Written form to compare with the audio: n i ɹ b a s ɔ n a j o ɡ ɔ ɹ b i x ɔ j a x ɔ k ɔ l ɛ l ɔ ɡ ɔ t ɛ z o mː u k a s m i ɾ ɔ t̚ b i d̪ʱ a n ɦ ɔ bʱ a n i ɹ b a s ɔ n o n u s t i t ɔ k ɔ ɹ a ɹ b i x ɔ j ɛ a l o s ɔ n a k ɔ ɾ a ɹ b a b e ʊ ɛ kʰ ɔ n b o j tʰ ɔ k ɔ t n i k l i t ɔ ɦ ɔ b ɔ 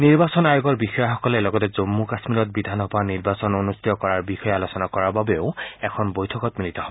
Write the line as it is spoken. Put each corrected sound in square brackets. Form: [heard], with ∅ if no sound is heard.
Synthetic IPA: n i ɹ b a s ɔ n a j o ɡ ɔ ɹ b i x ɔ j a x ɔ k ɔ l ɛ l ɔ ɡ ɔ t ɛ z o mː u k a s m i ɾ ɔ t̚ b i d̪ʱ a n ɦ ɔ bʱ a n i ɹ b a s ɔ n o n u s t i t ɔ k ɔ ɹ a ɹ b i x ɔ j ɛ a l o s ɔ n a k ɔ [ɹ] a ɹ b a b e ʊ ɛ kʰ ɔ n b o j tʰ ɔ k ɔ t [m] i [∅] l i t ɔ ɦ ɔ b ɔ

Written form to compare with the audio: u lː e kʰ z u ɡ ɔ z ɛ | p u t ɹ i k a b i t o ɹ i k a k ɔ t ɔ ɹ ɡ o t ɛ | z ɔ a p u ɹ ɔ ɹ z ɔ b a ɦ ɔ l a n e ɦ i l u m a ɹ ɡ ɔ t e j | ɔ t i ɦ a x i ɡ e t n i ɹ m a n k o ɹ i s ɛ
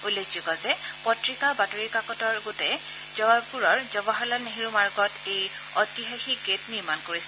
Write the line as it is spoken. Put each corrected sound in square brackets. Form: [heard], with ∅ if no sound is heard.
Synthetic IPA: u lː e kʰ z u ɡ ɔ z ɛ | p [ɔ] t ɹ i k a b [a] t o ɹ i k a k ɔ t ɔ ɹ ɡ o t ɛ | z ɔ a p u ɹ ɔ ɹ z ɔ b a ɦ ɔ l a n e ɦ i [ɹ] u m a ɹ ɡ ɔ t e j | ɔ t i ɦ a x i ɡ e t n i ɹ m a n k o ɹ i s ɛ

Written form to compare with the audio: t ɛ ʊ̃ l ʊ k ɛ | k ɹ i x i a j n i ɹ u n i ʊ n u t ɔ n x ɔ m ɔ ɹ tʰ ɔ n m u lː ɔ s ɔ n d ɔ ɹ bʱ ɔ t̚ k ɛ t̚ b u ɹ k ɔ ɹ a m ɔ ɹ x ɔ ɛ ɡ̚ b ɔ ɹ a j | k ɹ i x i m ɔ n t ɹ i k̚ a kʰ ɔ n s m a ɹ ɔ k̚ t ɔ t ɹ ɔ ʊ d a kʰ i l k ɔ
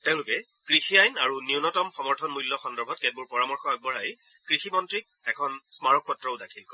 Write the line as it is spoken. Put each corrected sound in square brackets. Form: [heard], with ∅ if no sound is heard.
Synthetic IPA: t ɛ ʊ̃ l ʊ k ɛ | k ɹ i x i a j n [a] ɹ u n i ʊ n [ɔ] t ɔ [m] x ɔ m ɔ ɹ tʰ ɔ n m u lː ɔ [x] ɔ n d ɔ ɹ bʱ ɔ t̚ k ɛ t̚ b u ɹ [p] ɔ ɹ a m ɔ ɹ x ɔ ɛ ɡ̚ b ɔ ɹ a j | k ɹ i x i m ɔ n t ɹ i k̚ [ɛ] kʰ ɔ n s m a ɹ ɔ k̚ [p] ɔ t ɹ ɔ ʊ d a kʰ i l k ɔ

